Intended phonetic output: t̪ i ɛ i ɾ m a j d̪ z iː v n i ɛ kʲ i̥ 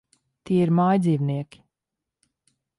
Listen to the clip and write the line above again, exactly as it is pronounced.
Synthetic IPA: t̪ i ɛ i ɾ m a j d̪ z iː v n i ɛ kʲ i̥

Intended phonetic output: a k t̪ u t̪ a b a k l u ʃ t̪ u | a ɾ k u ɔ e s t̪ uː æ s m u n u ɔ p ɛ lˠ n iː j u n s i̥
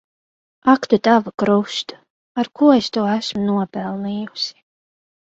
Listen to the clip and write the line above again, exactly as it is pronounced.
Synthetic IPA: a k t̪ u t̪ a v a k ɾ u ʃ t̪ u | a ɾ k u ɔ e s t̪ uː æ s m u n u ɔ p ɛ lˠ n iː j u s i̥

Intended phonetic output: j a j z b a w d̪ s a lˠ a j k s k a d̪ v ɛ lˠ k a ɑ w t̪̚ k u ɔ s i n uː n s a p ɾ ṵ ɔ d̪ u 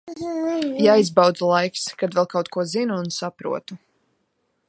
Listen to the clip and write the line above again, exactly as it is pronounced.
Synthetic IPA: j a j z b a w d̪ z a lˠ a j k s k a d̪ v ɛ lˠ k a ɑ w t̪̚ k u ɔ z i n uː n s a p ɾ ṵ ɔ t̪ u

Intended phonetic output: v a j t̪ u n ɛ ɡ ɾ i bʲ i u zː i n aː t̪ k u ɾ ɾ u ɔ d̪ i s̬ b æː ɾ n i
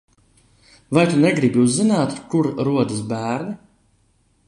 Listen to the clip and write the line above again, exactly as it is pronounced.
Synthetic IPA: v a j t̪ u n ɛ ɡ ɾ i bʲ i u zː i n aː t̪ k u ɾ ɾ u ɔ d̪ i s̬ b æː ɾ n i

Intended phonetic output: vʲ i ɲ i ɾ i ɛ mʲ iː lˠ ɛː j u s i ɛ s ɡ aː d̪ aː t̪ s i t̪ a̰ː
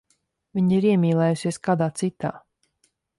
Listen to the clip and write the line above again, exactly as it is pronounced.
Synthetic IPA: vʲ i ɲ i ɾ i ɛ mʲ iː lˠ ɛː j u s i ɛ s k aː d̪ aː t̪ s i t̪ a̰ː

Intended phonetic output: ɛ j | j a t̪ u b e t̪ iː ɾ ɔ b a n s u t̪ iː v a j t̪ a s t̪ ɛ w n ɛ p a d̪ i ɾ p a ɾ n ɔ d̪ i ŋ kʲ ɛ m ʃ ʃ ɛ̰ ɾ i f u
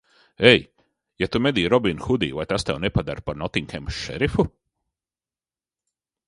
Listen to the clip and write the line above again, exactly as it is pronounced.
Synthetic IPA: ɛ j | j a t̪ u m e d̪ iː ɾ ɔ b i n x u d̪ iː v a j t̪ a s t̪ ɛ w n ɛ p a d̪ a ɾ p a ɾ n ɔ t̪ i ŋ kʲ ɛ m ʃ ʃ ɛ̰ ɾ i f u

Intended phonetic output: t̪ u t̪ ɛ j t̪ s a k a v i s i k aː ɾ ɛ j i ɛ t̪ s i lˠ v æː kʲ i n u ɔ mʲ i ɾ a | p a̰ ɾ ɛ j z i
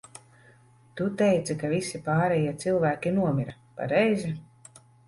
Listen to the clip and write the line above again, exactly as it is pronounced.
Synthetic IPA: t̪ u t̪ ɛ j t̪ s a k a v i s i p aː ɾ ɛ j i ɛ t̪ s i lˠ v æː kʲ i n u ɔ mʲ i ɾ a | p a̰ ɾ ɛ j z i

